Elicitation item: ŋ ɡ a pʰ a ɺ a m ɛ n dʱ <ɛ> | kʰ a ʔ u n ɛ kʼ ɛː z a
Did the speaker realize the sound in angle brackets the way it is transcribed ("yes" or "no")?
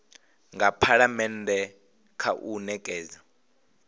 yes